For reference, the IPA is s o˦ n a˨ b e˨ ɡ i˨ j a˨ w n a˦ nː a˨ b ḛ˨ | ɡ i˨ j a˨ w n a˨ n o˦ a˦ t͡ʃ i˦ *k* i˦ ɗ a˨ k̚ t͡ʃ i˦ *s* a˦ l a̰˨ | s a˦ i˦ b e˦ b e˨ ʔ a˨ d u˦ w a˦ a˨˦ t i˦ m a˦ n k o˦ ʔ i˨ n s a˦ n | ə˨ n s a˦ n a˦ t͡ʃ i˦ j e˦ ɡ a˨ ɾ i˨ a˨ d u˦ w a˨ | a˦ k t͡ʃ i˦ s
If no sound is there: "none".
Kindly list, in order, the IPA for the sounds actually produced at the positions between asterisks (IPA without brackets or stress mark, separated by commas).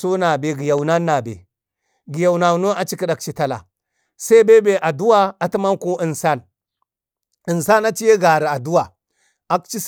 k, t